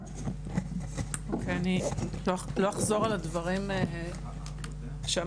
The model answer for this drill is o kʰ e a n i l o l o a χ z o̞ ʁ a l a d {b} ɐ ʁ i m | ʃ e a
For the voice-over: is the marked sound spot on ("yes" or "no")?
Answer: no